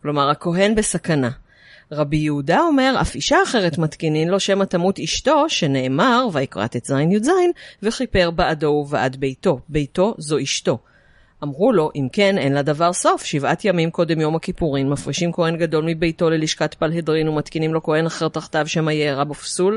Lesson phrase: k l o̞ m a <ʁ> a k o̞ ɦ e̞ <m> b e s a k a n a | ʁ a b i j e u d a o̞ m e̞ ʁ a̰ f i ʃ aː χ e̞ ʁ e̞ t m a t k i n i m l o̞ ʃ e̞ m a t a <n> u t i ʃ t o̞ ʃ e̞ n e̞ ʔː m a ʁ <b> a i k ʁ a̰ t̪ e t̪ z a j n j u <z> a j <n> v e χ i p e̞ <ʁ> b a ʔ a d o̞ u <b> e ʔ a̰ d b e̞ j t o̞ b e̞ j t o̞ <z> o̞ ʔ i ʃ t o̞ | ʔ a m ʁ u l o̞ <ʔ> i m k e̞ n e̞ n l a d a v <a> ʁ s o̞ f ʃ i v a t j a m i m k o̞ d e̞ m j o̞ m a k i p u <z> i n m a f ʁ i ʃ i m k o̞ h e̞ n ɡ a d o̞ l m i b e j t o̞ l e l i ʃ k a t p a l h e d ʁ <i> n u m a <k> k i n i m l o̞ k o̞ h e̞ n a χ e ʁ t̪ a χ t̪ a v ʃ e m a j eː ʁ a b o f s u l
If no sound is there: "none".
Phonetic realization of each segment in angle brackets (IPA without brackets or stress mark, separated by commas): ʁ, n, m, v, z, n, ʁ, v, z, ʔ, a, ʁ, i, t